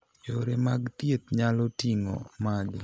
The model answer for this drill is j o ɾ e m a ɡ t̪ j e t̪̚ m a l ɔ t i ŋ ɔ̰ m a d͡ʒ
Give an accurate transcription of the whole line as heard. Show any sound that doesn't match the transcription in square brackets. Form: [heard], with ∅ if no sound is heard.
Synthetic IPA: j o ɾ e m a ɡ t̪ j e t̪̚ [ɲ] a l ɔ t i ŋ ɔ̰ m a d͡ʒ